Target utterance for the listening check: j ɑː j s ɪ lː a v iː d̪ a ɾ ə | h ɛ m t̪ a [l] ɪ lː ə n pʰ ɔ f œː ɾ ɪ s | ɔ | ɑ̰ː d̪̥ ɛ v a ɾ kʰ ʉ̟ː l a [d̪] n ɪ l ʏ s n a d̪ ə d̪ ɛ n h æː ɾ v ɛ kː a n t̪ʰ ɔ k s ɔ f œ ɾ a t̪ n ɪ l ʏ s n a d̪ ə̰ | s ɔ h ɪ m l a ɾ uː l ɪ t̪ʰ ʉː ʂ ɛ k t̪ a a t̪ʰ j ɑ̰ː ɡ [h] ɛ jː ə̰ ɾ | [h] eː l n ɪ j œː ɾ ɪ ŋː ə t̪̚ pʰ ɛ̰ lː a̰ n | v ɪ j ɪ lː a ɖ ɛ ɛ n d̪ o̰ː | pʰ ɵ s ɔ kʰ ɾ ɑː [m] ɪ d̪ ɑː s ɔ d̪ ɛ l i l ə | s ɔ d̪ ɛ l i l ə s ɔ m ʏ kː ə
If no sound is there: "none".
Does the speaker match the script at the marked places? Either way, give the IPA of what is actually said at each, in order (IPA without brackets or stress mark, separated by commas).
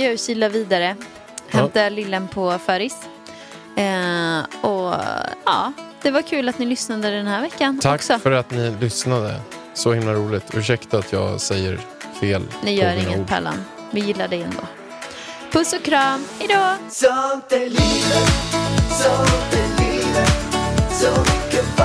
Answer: l, t̪, s, f, m